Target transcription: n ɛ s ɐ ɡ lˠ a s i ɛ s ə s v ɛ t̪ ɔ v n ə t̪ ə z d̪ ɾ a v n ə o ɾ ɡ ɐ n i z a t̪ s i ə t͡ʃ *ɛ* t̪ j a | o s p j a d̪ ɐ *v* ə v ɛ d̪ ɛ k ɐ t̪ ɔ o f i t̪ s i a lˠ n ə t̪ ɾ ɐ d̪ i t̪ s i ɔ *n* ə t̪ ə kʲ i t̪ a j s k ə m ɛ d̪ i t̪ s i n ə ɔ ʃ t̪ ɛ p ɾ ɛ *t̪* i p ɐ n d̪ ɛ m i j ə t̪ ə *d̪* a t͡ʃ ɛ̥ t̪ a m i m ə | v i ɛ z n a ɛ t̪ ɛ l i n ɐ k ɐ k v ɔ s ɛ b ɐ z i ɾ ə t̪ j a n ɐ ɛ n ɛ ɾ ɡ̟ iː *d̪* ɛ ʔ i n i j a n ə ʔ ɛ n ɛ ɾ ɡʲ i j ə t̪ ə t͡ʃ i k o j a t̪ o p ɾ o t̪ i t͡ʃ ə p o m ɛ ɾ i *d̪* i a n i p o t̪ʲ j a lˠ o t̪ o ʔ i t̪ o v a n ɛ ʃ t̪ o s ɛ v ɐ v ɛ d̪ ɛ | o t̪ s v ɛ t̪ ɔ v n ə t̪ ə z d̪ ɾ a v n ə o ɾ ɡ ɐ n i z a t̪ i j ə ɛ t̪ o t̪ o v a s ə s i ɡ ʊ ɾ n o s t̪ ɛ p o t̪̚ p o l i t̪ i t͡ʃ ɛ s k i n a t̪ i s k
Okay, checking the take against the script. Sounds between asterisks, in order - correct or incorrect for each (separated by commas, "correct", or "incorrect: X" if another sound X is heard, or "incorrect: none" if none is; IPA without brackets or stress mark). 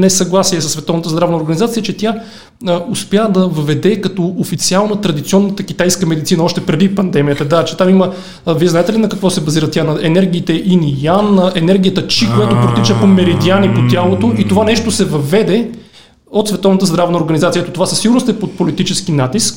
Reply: correct, correct, incorrect: nː, incorrect: d̪, correct, incorrect: t̪, correct